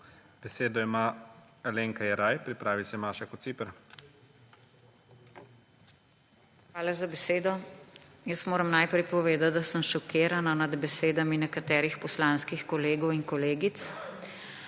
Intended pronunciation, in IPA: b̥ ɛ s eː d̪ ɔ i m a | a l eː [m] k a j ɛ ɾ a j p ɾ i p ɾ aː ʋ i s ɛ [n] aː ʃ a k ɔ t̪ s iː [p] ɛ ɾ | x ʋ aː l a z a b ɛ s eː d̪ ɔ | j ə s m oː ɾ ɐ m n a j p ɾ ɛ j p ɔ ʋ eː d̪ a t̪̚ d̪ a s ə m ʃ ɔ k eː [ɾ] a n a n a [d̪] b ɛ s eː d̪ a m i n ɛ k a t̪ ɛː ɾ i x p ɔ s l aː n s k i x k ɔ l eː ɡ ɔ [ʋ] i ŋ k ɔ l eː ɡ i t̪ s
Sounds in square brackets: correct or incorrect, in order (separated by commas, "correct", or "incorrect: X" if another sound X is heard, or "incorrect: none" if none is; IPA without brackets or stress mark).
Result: incorrect: ŋ, incorrect: m, correct, correct, correct, incorrect: w